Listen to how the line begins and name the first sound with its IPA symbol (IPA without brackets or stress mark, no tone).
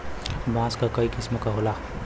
b